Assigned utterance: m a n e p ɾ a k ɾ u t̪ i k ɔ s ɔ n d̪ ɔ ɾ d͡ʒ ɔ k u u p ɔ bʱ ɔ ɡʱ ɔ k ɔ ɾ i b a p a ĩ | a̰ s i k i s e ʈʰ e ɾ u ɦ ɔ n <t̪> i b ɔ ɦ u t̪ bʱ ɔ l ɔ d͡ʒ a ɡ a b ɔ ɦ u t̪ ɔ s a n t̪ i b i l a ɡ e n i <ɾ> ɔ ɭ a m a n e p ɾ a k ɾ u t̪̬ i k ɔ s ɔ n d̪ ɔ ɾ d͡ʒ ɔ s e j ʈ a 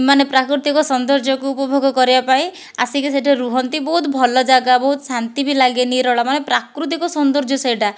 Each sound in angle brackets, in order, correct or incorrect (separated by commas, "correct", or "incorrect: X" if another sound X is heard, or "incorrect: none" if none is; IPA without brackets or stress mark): correct, correct